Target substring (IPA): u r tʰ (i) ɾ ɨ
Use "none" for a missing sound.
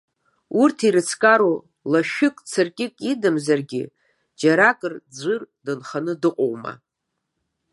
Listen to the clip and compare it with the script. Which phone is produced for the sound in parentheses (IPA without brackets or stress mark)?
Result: i